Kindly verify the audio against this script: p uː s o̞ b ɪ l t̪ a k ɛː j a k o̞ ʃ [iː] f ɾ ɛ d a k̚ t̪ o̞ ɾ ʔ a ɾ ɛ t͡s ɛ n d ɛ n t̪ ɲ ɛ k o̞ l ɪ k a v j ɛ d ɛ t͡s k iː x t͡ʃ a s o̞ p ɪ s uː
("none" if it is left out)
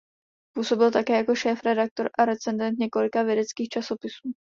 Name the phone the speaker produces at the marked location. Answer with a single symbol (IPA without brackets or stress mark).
ɛː